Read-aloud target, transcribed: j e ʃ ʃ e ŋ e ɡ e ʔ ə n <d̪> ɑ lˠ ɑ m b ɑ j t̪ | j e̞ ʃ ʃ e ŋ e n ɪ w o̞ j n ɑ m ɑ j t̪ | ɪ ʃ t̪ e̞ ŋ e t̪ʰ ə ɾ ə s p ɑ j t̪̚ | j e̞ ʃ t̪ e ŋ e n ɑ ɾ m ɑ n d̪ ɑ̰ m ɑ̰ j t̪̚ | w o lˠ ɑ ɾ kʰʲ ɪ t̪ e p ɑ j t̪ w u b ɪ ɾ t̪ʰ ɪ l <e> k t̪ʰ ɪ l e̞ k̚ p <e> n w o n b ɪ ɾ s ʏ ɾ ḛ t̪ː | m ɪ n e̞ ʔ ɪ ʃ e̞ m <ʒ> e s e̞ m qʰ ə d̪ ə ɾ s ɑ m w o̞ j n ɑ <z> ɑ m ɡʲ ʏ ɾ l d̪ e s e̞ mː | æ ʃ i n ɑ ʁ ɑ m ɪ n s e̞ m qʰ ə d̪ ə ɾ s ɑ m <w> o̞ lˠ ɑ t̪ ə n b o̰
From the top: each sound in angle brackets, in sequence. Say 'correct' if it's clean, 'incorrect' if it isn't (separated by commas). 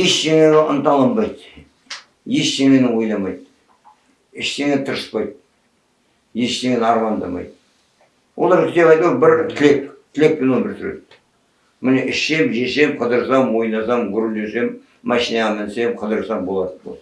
incorrect, correct, correct, correct, incorrect, incorrect